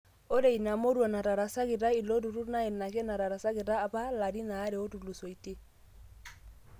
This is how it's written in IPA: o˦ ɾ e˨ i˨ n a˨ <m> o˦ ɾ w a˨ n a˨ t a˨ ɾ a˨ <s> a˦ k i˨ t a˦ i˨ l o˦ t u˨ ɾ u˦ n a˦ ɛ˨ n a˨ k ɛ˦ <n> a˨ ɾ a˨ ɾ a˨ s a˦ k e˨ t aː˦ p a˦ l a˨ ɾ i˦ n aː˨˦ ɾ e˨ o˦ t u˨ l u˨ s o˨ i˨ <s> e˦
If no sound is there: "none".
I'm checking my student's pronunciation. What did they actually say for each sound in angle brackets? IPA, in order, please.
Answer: m, s, n, t

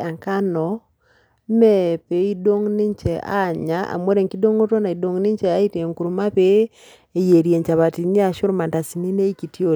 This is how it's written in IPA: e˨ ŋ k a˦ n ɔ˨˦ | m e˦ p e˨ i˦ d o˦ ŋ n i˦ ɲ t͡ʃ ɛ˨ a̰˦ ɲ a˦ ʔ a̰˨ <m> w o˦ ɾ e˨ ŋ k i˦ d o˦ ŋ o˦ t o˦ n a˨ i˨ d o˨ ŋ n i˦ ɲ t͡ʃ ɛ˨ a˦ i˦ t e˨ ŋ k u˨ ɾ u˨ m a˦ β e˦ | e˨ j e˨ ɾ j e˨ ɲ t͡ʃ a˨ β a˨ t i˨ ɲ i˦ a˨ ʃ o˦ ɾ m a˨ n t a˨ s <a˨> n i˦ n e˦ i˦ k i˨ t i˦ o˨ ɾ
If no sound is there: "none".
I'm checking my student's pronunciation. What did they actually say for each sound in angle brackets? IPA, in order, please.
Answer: m, i˨

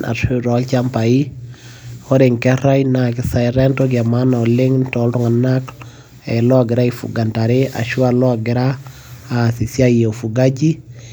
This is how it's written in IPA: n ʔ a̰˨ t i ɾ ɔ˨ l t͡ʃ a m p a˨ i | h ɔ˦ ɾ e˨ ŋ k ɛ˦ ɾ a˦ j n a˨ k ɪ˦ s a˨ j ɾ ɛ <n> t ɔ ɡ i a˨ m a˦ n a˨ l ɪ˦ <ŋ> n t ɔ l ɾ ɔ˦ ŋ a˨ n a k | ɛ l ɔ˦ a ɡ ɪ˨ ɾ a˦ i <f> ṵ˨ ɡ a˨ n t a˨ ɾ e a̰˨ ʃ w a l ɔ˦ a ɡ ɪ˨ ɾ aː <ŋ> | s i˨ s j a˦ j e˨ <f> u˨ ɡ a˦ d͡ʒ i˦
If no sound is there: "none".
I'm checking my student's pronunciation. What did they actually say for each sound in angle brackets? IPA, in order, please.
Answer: n, ŋ, f, none, f

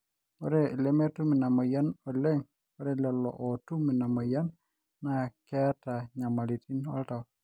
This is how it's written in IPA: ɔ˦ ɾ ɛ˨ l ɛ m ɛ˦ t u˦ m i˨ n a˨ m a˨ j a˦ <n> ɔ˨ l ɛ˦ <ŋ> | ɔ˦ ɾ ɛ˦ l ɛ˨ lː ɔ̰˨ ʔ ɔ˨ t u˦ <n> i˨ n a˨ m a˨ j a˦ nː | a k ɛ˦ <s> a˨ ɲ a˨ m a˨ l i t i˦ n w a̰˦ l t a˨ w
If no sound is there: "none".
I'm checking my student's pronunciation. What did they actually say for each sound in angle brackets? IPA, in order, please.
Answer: n, ŋ, m, t

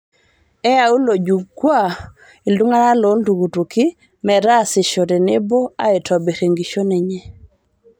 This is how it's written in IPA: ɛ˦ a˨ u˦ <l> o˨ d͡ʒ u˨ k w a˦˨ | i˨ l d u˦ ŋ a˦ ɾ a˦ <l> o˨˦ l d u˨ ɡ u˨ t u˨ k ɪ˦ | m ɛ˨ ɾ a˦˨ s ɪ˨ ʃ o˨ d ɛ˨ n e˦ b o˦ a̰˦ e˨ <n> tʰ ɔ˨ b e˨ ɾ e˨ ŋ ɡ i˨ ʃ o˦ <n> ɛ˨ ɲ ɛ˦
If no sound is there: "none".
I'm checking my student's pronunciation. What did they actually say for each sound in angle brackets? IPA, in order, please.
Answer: l, l, none, n

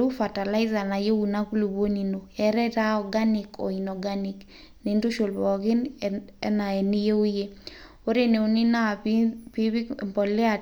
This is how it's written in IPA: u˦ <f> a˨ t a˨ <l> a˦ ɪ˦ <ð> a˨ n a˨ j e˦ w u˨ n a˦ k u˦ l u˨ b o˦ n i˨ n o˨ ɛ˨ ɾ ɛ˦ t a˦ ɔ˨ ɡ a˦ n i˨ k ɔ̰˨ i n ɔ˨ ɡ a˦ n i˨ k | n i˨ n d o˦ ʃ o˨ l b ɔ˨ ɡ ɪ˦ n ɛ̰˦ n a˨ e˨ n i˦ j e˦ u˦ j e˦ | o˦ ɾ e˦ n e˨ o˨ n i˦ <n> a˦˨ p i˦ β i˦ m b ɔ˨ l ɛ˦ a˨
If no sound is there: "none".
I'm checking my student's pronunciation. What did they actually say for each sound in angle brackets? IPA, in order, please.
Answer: f, l, z, n

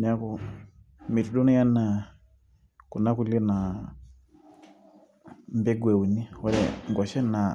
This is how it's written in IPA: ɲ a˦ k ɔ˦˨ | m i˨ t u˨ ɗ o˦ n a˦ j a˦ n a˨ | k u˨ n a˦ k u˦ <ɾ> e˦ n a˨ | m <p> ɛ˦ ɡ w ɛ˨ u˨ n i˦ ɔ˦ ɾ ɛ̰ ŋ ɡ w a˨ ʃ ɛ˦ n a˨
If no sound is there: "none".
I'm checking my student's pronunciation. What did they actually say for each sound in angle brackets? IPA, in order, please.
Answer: l, b

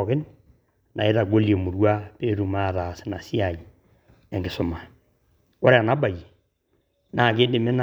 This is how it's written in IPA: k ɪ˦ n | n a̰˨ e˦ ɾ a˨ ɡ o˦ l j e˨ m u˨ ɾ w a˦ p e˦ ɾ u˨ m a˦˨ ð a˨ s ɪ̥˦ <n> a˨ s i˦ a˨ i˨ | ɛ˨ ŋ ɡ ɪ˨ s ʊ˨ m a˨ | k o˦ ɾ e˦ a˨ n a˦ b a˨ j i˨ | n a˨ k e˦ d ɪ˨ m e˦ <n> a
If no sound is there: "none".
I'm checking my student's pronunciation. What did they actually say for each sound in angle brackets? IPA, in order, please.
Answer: n, n

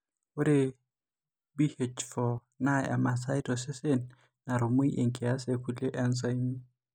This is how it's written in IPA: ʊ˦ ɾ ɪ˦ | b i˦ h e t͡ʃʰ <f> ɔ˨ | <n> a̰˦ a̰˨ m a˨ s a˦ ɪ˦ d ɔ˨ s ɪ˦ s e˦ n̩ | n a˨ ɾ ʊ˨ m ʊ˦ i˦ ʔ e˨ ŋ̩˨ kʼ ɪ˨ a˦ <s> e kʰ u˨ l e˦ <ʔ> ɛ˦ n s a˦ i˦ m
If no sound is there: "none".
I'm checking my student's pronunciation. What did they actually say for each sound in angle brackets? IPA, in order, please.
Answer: f, n, s, ʔ

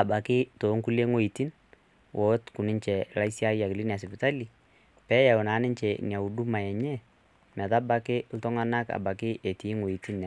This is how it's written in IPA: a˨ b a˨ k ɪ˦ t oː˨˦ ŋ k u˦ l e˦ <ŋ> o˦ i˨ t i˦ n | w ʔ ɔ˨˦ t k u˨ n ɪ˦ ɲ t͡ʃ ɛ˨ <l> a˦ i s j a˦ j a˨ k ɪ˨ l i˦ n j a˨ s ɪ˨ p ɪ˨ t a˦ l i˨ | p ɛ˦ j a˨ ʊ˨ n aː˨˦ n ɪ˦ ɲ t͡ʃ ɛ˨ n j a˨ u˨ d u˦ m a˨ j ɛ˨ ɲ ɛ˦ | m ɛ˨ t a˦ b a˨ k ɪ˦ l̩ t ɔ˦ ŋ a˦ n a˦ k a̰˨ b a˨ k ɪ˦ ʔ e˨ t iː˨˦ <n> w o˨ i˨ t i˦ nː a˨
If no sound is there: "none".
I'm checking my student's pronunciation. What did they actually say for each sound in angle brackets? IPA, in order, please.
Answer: ŋ, l, ŋ

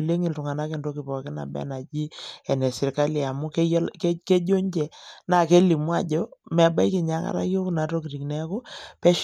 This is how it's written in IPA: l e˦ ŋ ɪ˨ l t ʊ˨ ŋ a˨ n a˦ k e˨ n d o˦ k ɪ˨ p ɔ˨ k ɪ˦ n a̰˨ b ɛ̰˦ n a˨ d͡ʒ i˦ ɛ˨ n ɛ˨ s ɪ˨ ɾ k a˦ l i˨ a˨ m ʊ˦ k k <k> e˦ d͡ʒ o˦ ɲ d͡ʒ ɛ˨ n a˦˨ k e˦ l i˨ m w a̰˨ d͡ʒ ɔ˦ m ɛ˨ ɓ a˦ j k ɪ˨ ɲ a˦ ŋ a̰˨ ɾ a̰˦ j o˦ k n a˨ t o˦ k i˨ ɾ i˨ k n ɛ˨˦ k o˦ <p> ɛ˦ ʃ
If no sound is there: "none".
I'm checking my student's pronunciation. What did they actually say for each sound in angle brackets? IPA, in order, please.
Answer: k, p

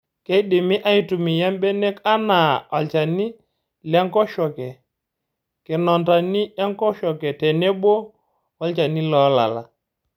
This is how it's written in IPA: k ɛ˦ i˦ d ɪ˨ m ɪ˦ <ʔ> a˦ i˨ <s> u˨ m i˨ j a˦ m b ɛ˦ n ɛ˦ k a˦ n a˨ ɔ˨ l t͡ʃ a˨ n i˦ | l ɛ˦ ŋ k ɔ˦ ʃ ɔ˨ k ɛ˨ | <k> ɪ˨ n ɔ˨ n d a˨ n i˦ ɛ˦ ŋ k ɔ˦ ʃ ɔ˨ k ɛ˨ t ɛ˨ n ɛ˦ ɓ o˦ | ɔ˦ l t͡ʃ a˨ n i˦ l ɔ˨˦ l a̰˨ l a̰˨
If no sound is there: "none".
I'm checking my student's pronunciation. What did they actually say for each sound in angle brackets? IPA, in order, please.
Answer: ʔ, t, k

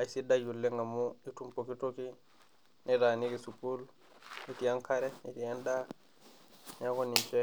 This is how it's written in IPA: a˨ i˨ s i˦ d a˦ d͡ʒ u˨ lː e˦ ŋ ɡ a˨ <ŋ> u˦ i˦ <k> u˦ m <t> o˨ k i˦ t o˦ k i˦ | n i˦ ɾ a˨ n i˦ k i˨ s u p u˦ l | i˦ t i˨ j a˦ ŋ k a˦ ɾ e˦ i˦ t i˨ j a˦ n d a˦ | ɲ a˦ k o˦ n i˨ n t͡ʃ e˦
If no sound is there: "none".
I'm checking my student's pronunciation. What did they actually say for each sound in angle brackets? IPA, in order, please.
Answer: m, t, p

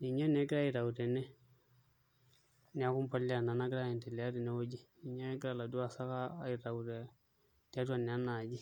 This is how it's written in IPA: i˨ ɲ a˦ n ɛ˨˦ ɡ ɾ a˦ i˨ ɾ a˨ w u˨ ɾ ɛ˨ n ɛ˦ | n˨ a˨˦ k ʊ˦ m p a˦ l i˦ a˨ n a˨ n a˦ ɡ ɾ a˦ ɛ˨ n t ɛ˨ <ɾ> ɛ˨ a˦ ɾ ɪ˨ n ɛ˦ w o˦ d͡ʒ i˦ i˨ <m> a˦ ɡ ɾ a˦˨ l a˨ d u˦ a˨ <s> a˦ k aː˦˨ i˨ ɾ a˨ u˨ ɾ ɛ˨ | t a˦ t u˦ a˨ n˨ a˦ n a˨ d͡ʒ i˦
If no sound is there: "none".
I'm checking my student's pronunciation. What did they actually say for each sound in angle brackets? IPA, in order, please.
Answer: l, ɲ, s

